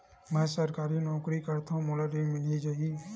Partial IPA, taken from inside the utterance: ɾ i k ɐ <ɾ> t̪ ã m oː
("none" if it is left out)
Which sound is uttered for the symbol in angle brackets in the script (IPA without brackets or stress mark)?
ɾ